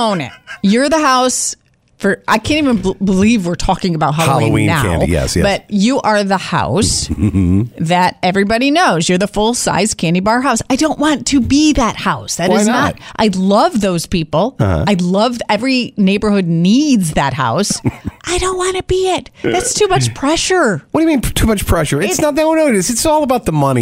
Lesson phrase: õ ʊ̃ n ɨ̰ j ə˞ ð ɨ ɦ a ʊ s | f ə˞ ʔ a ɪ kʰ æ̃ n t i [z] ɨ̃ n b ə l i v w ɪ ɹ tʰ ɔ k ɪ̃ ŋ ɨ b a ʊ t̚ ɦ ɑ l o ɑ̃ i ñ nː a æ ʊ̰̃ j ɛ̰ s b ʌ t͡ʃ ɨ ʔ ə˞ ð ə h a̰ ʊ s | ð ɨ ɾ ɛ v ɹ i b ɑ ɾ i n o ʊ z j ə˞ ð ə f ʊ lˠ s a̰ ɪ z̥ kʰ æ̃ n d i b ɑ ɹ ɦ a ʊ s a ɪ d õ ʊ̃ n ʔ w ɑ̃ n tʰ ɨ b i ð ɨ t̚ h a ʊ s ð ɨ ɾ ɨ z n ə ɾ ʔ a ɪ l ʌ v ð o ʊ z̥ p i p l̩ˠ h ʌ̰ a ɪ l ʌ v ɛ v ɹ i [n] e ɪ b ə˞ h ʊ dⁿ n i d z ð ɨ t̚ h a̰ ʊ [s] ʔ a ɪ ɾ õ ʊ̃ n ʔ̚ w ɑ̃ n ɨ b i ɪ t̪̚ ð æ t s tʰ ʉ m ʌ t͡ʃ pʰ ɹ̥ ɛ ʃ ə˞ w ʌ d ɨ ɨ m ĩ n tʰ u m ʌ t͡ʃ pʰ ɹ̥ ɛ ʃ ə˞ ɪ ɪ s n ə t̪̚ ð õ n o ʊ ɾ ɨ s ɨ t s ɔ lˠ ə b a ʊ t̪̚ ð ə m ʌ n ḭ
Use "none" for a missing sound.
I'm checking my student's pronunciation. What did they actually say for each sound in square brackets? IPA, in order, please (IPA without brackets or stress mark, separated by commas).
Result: v, n, s